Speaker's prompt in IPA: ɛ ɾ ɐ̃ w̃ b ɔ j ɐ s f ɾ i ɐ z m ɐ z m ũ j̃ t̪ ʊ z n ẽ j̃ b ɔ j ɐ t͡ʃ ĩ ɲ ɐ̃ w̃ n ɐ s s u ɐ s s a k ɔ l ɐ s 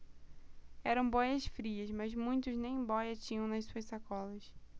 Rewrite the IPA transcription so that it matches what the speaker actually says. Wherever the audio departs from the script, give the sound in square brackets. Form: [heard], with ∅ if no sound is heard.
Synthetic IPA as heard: ɛ ɾ ɐ̃ w̃ b ɔ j ɐ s f ɾ i ɐ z m ɐ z m ũ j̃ t̪ ʊ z n ẽ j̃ b ɔ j ɐ t͡ʃ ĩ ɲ ɐ̃ w̃ n ɐ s s u ɐ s s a k ɔ l ɐ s

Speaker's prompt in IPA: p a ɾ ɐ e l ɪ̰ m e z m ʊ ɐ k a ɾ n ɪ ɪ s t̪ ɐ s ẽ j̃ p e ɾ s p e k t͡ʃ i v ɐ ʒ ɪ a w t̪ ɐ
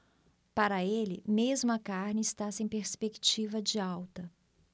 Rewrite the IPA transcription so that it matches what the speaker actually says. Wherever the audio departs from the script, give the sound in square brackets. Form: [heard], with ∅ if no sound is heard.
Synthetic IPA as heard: p a ɾ ɐ e l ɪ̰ m e z m ʊ ɐ k a ɾ n ɪ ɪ s t̪ [a] s ẽ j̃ p e ɾ s p e k t͡ʃ i v ɐ [d͡ʒ] ɪ a w t̪ ɐ

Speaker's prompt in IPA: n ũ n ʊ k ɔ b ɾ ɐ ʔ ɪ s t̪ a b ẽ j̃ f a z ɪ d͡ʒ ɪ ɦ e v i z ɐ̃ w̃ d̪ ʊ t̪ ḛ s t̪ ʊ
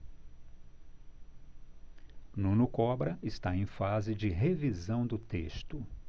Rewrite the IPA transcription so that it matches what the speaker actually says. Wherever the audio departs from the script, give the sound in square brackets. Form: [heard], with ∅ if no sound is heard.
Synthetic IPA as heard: n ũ n ʊ k ɔ b ɾ ɐ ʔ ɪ s t̪ a [∅] ẽ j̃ f a z ɪ d͡ʒ ɪ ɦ e v i z ɐ̃ w̃ d̪ ʊ t̪ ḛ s t̪ ʊ

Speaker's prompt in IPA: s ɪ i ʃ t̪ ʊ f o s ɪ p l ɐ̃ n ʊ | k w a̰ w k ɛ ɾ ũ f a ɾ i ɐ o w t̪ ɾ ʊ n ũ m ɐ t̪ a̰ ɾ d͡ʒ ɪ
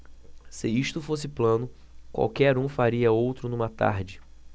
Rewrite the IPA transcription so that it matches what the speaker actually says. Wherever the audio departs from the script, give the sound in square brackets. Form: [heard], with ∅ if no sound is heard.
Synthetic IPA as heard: s ɪ i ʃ t̪ ʊ f o s ɪ p l ɐ̃ n ʊ | k w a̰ w k ɛ ɾ ũ f a ɾ i ɐ o w t̪ ɾ ʊ n ũ m ɐ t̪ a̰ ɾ d͡ʒ ɪ

